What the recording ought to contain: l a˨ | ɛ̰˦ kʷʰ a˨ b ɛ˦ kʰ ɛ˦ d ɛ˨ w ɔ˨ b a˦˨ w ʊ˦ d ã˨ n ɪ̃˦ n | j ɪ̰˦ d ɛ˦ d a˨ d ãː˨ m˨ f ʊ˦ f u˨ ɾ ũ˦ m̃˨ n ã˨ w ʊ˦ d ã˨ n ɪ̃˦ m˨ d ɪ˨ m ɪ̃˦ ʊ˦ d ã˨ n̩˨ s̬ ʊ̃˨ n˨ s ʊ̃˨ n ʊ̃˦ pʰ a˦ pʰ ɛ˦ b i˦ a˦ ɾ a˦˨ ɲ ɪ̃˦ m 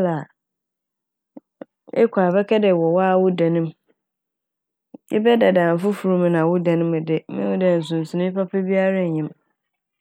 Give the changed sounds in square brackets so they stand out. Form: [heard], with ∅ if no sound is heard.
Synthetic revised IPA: l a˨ | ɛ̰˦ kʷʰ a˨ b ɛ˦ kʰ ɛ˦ d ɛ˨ w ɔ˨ [w] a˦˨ w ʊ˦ d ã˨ n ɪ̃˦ [m] | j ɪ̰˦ [b] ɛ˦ d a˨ d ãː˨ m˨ f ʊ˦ f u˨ ɾ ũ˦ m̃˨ n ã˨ w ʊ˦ d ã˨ n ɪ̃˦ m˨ d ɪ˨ m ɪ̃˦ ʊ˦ d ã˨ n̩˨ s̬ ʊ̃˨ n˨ s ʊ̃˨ n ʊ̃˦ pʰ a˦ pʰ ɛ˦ b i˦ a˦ ɾ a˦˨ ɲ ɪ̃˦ m